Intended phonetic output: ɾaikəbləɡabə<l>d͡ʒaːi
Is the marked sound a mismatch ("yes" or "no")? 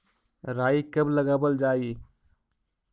no